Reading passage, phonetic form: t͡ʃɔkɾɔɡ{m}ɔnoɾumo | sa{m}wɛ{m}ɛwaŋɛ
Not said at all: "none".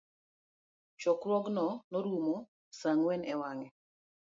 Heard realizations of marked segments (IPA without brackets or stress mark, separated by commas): n, ŋ, n